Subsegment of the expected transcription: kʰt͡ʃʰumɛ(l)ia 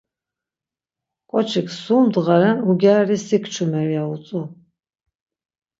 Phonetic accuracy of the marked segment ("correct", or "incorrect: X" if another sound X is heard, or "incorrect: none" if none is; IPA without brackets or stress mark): incorrect: ɾ